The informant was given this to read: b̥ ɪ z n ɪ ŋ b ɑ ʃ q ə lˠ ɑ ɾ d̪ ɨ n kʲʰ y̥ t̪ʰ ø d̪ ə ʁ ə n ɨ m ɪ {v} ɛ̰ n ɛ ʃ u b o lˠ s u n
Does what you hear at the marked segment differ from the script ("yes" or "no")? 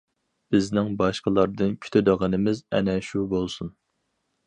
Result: yes